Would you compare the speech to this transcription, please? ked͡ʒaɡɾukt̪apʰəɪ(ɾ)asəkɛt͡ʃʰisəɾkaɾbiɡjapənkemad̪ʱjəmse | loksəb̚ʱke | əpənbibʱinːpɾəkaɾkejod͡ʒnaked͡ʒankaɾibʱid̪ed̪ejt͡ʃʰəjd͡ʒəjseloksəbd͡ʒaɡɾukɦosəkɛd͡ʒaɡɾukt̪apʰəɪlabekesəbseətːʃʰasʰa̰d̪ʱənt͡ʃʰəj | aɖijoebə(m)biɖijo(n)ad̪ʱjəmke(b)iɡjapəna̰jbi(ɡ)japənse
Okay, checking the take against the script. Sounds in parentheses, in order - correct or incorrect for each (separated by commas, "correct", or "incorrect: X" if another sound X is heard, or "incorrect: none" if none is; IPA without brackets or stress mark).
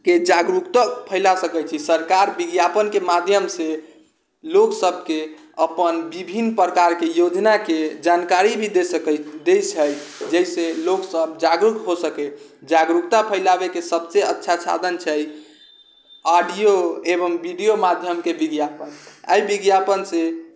incorrect: l, correct, incorrect: m, correct, correct